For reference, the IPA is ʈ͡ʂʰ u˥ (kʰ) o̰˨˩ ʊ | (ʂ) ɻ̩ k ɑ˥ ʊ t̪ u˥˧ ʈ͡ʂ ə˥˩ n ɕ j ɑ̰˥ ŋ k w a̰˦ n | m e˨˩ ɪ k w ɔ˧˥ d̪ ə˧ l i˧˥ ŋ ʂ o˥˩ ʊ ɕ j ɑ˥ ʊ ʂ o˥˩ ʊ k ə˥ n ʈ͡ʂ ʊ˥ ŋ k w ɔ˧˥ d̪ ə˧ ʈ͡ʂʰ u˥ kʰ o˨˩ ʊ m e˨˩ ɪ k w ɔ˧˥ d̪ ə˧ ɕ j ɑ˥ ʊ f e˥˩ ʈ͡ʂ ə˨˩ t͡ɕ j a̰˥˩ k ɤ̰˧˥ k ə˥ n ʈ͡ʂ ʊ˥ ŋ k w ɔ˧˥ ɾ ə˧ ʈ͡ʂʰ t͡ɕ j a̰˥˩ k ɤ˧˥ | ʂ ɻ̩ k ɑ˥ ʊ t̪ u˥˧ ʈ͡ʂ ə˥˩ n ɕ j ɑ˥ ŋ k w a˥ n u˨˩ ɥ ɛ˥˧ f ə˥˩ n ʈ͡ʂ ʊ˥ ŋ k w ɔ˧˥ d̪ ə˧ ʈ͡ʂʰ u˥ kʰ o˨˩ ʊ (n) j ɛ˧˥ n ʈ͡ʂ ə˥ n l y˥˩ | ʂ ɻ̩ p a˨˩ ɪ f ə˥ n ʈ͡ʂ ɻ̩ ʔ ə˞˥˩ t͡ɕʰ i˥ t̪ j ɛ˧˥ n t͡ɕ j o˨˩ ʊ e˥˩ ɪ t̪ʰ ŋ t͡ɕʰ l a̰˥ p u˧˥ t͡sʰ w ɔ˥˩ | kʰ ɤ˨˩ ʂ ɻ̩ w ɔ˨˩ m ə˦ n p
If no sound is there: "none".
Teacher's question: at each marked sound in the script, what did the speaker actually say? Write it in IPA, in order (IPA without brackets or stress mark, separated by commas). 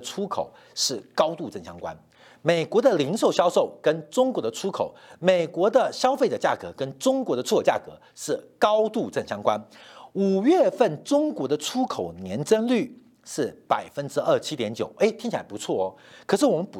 kʰ, ʂ, n